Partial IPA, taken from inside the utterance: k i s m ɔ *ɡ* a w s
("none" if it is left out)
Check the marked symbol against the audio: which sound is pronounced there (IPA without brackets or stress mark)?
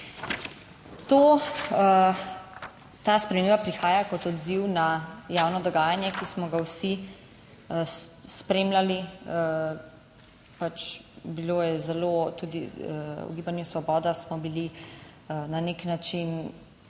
ɡ